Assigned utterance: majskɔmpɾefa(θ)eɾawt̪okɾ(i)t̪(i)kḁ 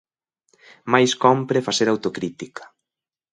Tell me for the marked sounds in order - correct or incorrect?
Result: incorrect: s, correct, correct

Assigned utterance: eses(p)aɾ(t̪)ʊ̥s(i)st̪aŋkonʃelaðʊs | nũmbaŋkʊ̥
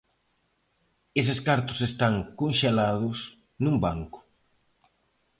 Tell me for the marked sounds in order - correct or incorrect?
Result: incorrect: k, correct, incorrect: e

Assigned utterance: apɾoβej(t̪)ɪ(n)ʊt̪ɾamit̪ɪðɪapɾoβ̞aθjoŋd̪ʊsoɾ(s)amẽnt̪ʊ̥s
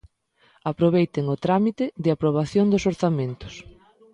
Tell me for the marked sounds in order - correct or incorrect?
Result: correct, incorrect: ŋ, incorrect: θ

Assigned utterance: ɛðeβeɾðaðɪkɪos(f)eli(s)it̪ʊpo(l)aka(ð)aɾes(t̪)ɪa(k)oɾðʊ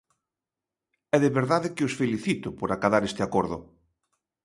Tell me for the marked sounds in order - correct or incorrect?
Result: correct, incorrect: θ, incorrect: ɾ, correct, correct, correct

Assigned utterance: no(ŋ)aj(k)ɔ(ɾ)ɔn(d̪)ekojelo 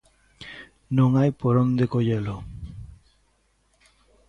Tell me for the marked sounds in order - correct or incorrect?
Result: correct, incorrect: p, correct, correct

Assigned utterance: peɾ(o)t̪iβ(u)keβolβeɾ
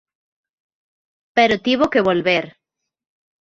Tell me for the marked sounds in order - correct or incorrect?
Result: correct, incorrect: o

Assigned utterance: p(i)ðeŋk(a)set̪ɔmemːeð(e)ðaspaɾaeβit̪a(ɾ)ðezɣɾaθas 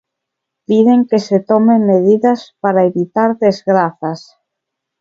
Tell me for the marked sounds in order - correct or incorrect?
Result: correct, incorrect: e, incorrect: i, correct

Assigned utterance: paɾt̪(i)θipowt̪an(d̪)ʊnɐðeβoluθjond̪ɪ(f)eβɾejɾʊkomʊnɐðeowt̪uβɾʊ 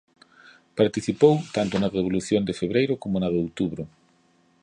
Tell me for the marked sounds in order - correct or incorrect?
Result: correct, incorrect: t̪, correct

